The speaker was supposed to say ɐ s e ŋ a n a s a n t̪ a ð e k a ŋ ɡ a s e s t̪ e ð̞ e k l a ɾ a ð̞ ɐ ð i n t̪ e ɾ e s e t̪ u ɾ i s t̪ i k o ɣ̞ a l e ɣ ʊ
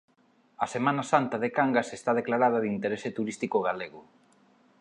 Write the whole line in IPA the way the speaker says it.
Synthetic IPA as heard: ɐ s e m a n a s a n t̪ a ð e k a ŋ ɡ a s e s t̪ a ð̞ e k l a ɾ a ð̞ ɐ ð i n t̪ e ɾ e s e t̪ u ɾ i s t̪ i k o ɣ̞ a l e ɣ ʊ